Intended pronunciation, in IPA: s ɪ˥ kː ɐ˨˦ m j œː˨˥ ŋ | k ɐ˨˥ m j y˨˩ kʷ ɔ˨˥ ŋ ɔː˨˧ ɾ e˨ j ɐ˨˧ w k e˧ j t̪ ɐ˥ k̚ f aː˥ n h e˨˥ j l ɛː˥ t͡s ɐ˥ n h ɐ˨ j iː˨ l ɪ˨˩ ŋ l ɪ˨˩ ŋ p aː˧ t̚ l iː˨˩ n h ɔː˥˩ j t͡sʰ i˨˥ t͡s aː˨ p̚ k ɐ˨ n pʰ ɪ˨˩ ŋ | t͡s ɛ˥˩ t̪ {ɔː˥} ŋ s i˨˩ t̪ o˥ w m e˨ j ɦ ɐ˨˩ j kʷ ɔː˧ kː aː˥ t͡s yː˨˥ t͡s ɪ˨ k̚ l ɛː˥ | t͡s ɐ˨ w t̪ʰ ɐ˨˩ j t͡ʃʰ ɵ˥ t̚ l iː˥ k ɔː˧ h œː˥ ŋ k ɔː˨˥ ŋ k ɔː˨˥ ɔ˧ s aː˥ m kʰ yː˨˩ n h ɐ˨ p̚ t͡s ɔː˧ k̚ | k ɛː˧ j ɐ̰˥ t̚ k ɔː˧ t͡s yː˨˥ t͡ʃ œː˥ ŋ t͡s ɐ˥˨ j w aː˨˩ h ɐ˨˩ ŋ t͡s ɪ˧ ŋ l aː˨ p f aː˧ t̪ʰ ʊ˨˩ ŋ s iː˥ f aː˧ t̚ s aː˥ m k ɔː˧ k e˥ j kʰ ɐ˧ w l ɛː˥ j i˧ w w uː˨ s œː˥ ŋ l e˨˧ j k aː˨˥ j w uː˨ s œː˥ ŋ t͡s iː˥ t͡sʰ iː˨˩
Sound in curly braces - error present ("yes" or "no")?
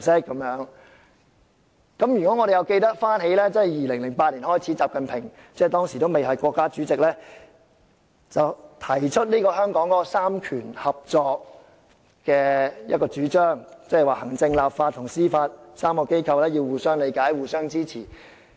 no